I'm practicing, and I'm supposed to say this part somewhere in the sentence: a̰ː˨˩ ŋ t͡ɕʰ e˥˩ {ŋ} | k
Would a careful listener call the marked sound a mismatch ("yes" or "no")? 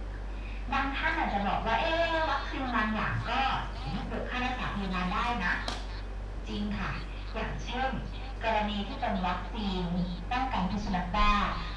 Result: yes